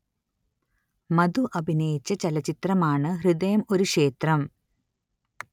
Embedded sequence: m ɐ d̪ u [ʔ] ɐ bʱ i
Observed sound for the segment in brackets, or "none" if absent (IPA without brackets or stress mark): ʔ